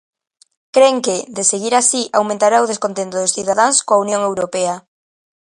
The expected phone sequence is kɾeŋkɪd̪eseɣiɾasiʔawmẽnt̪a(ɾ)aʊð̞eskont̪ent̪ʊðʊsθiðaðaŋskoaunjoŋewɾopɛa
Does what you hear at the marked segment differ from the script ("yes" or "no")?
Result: no